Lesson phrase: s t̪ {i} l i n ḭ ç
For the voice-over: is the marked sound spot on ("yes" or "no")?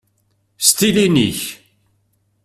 yes